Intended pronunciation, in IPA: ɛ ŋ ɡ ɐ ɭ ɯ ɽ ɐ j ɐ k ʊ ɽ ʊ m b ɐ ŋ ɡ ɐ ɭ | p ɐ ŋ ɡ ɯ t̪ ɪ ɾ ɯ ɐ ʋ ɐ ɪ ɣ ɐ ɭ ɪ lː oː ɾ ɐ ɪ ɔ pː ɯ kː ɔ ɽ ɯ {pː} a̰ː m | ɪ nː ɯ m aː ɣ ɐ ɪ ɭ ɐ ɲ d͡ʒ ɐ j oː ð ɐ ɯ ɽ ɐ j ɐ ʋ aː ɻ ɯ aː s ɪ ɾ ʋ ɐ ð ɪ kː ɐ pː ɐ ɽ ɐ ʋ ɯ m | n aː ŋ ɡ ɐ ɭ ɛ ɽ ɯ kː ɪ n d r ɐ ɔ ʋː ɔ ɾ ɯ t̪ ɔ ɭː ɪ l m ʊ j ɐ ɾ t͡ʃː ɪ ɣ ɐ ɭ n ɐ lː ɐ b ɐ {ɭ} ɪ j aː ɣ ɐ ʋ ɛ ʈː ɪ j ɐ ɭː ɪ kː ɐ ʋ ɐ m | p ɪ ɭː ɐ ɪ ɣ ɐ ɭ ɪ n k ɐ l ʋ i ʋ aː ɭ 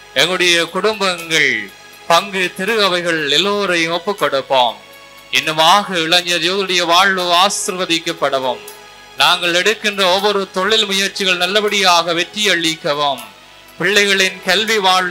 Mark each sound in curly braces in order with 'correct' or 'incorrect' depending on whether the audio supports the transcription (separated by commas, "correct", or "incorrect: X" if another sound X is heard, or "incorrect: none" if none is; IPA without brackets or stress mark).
correct, incorrect: ɽ